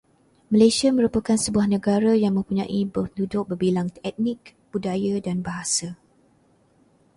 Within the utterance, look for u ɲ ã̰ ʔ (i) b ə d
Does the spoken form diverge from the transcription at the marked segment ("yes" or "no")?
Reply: no